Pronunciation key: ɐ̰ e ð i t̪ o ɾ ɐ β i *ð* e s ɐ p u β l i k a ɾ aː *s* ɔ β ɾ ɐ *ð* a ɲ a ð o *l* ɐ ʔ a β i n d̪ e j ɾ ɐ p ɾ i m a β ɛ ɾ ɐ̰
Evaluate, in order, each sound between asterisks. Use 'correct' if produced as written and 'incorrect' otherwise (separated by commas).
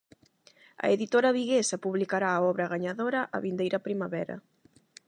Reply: incorrect, incorrect, incorrect, incorrect